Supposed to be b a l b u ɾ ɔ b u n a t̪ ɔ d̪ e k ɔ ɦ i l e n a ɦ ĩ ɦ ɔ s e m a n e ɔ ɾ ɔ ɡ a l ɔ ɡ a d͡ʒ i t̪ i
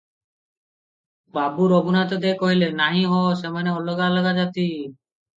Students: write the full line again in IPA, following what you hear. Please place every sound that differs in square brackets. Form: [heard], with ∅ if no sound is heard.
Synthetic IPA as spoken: b a [∅] b u ɾ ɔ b u n a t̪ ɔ d̪ e k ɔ ɦ i l e n a ɦ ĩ ɦ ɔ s e m a n e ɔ [l] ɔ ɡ a l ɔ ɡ a d͡ʒ [a] t̪ i